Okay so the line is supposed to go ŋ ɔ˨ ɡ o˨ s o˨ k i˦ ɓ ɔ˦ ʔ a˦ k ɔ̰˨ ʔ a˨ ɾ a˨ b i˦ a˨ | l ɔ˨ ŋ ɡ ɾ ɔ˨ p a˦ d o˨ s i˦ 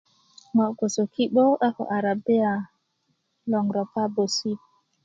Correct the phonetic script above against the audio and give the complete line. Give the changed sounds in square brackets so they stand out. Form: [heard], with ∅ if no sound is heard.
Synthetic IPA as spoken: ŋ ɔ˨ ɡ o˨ s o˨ k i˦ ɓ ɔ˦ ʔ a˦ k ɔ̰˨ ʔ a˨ ɾ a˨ b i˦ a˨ | l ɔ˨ ŋ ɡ ɾ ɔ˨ p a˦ [b] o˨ s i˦